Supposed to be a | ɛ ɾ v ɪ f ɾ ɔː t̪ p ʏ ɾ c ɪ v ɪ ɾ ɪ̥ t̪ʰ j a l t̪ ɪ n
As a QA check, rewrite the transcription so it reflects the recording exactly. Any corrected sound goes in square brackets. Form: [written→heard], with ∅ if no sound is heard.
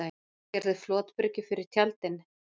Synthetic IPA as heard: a | ɛ ɾ [v→ð] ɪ f [ɾ→l] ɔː t̪ p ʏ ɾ c ɪ [v→f] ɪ ɾ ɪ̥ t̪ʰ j a l t̪ ɪ n